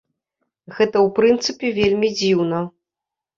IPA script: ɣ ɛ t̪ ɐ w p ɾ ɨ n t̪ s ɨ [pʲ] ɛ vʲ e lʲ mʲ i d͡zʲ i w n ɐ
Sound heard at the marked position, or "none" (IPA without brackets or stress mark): pʲ